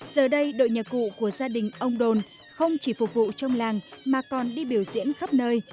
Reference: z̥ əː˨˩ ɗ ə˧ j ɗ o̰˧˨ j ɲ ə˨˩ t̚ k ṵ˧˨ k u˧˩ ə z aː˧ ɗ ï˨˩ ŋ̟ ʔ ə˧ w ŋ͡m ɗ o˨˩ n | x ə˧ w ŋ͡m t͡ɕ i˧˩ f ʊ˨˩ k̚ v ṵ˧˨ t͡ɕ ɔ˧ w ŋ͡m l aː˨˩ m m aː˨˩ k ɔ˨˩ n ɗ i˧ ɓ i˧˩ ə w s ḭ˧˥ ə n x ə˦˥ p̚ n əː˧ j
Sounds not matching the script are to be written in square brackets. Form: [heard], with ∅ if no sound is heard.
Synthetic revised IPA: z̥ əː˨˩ ɗ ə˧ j ɗ o̰˧˨ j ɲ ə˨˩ t̚ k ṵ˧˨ k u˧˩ ə z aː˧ ɗ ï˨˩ ŋ̟ ʔ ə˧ w ŋ͡m ɗ o˨˩ n | x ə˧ w ŋ͡m t͡ɕ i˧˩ f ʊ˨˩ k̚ v ṵ˧˨ t͡ɕ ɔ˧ w ŋ͡m l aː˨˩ [ŋ] m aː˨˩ k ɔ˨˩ n ɗ i˧ ɓ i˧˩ ə w [z] ḭ˧˥ ə n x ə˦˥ p̚ n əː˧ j